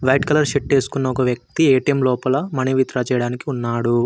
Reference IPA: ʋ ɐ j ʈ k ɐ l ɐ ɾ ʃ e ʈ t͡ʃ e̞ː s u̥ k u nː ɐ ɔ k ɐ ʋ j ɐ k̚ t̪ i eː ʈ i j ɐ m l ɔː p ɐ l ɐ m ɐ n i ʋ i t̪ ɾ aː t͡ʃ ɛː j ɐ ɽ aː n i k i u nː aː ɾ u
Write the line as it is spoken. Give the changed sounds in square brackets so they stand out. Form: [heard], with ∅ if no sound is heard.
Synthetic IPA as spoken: ʋ ɐ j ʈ k ɐ l ɐ ɾ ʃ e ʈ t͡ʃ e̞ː s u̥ k u nː ɐ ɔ k ɐ ʋ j ɐ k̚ t̪ i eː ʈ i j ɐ m l ɔː p ɐ l ɐ m ɐ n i ʋ i t̪ ɾ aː t͡ʃ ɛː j ɐ ɽ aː n i k i u nː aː [ɽ] u